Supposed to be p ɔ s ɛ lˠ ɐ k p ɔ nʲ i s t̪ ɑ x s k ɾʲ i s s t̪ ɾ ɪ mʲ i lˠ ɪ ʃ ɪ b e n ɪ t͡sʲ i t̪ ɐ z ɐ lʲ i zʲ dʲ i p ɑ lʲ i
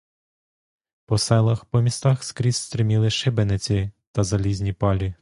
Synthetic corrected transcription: p ɔ s ɛ lˠ ɐ x p ɔ mʲ i s t̪ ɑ x s k ɾʲ i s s t̪ ɾ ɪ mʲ i lˠ ɪ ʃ ɪ b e n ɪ t͡sʲ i t̪ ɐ z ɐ lʲ i zʲ nʲ i p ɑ lʲ i